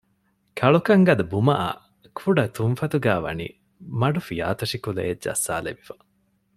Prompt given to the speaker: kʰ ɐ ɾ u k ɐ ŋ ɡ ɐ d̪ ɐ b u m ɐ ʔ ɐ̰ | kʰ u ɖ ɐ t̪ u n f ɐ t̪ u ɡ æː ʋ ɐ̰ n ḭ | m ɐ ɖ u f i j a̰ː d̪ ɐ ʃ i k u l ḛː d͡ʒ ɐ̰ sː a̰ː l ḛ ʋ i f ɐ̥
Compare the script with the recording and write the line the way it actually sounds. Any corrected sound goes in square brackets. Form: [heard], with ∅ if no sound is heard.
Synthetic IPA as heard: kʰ ɐ [ɭ] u k ɐ ŋ ɡ ɐ d̪ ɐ b u m ɐ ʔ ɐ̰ | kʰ u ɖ ɐ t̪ u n f ɐ t̪ u ɡ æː ʋ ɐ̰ n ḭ | m ɐ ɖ u f i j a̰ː [t̪] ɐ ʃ i k u l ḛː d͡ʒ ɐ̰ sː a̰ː l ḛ ʋ i f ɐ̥